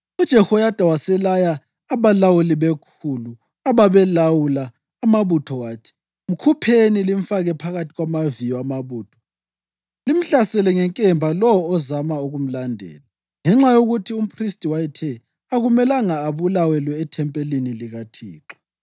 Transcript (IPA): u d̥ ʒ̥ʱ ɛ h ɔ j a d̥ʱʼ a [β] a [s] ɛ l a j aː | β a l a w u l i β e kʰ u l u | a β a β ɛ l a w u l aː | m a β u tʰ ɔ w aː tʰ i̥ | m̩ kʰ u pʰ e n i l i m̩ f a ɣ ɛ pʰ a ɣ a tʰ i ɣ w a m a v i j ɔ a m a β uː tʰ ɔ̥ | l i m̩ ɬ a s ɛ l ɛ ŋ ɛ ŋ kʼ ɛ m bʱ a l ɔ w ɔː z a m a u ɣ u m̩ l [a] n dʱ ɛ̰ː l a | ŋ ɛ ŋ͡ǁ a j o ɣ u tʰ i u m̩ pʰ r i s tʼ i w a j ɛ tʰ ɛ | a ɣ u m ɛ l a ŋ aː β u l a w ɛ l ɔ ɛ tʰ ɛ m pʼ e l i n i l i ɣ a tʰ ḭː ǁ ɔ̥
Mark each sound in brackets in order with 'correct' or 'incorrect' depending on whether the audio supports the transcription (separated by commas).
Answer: incorrect, correct, correct